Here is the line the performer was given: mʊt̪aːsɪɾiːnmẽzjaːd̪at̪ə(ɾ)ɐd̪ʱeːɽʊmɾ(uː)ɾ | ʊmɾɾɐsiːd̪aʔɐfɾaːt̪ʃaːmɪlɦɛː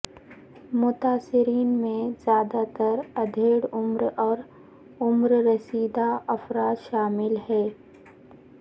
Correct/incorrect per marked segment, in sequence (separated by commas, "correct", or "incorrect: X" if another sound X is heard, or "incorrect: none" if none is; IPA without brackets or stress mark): correct, incorrect: ɔː